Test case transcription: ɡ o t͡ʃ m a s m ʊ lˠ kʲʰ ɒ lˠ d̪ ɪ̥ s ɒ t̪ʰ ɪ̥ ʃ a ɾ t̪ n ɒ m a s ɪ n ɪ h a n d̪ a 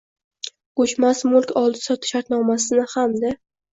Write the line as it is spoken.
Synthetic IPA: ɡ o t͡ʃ m a s m ʊ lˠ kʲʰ ɒ lˠ d̪ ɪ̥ s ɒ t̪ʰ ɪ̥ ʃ a ɾ t̪ n ɒ m a s ɪ n ɪ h a m d̪ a

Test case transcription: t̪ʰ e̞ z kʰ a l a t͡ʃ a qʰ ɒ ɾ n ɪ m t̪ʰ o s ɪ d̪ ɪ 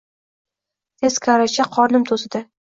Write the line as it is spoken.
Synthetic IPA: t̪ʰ e̞ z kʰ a ɾ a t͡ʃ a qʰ ɒ ɾ n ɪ m t̪ʰ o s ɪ d̪ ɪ

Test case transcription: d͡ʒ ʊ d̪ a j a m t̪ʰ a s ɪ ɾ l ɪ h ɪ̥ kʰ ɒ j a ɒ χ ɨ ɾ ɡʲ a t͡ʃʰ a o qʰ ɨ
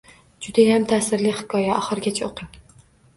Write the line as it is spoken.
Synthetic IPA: d͡ʒ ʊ d̪ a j a m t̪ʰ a s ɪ ɾ l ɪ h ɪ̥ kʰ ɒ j a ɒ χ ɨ ɾ ɡʲ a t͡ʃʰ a o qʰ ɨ

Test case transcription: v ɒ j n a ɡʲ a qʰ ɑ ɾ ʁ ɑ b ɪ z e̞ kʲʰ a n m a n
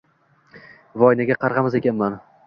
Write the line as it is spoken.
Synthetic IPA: v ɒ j n a ɡʲ a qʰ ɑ ɾ ʁ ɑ m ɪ z e̞ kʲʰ a n m a n

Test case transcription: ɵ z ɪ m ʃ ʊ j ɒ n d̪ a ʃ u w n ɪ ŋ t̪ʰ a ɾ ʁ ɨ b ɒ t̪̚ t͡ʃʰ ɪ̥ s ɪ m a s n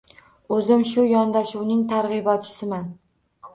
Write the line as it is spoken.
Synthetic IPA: ɵ z ɪ m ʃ ʊ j ɒ n d̪ a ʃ u w n ɪ ŋ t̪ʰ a ɾ ʁ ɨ b ɒ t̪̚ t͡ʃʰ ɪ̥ s ɪ m a n

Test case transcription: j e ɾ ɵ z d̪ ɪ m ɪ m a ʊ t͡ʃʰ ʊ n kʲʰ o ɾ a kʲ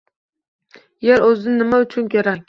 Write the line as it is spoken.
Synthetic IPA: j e ɾ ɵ z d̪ ɪ n ɪ m a ʊ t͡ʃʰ ʊ n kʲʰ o ɾ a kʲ

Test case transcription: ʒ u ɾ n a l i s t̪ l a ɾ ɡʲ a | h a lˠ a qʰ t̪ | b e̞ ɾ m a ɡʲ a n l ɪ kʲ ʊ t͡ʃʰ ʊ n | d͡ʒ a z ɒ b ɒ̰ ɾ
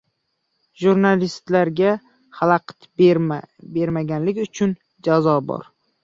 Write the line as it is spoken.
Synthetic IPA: ʒ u ɾ n a l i s t̪ l a ɾ ɡʲ a | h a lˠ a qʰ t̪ | b e̞ ɾ m a ɡʲ a n l ɪ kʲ ʊ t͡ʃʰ ʊ n | d͡ʒ a z ɒ b ɒ̰ ɾ

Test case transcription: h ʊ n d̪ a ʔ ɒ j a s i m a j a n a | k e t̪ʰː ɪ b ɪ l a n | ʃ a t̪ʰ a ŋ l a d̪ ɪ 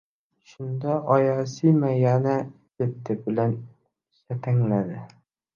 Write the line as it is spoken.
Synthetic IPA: ʃ ʊ n d̪ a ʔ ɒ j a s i m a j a n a | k e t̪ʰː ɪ b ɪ l a n | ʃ a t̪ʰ a ŋ l a d̪ ɪ

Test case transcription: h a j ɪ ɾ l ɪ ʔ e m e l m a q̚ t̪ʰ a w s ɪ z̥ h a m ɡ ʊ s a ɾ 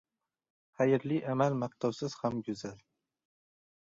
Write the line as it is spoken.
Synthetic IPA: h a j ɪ ɾ l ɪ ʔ a m a l m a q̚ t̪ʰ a w s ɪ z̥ h a m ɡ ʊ z a l

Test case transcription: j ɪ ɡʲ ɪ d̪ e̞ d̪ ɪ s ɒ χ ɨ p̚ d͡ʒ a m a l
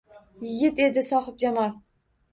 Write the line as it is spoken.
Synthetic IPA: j ɪ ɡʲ ɪ t̪ e̞ d̪ ɪ s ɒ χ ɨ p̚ d͡ʒ a m a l

